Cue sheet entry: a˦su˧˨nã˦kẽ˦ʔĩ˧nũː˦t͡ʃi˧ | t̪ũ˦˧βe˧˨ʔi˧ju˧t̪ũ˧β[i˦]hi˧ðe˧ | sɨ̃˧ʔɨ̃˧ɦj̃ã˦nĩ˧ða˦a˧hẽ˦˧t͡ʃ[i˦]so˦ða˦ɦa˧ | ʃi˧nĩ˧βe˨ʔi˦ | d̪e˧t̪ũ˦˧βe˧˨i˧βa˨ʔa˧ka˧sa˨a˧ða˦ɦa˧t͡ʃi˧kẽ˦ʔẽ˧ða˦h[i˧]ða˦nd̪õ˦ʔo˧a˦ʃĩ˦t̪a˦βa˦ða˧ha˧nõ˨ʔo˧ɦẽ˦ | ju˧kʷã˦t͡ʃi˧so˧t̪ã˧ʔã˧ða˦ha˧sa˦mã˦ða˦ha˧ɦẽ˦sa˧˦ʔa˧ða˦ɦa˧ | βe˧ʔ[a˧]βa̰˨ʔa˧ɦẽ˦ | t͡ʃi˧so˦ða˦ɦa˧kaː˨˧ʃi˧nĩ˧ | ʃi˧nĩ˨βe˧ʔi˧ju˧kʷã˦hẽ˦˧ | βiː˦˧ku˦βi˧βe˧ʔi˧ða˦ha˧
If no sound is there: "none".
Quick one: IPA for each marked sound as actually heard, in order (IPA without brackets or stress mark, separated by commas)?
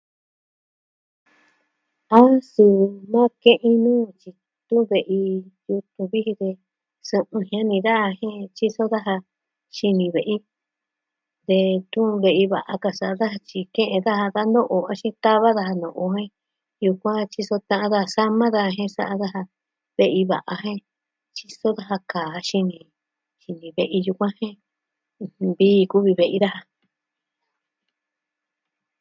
i˦, i˦, a˧, i˧